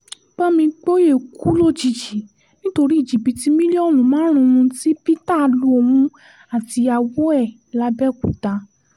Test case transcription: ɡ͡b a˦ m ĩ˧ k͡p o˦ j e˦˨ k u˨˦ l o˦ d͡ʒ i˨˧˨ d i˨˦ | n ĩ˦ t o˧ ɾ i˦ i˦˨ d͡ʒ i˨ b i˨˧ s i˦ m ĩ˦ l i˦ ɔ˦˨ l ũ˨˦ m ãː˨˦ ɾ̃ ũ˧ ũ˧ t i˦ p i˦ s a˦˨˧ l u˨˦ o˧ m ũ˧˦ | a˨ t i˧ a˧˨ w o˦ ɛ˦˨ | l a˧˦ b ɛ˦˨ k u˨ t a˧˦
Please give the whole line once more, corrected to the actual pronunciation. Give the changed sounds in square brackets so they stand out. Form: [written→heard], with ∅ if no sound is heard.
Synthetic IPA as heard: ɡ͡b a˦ m ĩ˧ k͡p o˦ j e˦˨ k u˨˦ l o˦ d͡ʒ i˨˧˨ [d→d͡ʒ] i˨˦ | n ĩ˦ t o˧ ɾ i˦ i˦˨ d͡ʒ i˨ b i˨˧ [s→t] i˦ m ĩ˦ l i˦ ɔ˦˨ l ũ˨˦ m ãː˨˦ ɾ̃ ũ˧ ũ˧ t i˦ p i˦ [s→t] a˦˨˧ l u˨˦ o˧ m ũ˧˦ | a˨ t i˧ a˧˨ w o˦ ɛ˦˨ | l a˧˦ b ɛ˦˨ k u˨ t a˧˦